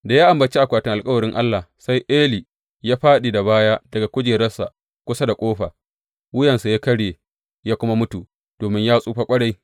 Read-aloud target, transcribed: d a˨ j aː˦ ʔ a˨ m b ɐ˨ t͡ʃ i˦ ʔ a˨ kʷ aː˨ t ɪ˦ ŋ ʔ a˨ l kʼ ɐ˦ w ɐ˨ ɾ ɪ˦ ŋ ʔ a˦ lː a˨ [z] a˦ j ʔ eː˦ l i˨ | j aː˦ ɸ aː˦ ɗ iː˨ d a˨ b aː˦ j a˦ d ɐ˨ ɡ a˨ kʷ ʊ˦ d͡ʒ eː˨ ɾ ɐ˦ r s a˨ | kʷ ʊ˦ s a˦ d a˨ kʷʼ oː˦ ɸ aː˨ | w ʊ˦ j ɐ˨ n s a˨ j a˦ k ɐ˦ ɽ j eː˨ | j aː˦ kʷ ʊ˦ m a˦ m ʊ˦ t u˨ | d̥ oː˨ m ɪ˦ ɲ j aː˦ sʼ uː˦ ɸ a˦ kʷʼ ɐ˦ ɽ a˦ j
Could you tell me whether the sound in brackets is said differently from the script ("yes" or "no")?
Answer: yes